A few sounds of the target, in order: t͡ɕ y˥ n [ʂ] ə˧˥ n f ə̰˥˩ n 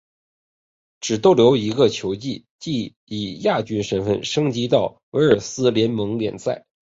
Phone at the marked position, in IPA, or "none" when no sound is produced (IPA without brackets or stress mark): ʂ